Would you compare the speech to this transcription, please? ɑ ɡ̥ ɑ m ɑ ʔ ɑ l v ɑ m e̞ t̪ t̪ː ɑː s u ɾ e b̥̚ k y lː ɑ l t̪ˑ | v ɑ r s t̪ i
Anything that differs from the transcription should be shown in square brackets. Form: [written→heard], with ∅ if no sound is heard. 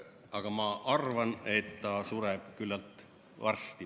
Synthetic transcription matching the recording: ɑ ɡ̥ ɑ m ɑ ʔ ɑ [l→r] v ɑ [m→n] e̞ t̪ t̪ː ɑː s u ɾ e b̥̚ k y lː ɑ l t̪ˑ | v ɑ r s t̪ i